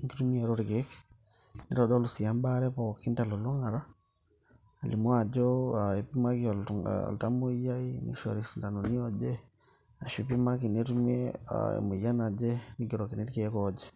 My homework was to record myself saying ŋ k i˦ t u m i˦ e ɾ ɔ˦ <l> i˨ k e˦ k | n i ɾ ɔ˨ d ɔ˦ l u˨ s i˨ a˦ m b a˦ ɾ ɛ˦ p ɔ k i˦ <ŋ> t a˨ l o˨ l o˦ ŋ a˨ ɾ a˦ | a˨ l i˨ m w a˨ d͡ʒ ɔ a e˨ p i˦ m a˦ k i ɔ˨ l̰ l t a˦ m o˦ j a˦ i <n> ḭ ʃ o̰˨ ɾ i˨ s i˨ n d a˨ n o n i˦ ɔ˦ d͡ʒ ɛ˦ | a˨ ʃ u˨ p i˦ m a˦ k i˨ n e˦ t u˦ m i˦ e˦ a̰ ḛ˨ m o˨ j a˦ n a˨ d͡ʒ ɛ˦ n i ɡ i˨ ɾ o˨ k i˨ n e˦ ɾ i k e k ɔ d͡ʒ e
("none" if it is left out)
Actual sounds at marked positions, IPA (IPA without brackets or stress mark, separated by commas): ɾ, n, n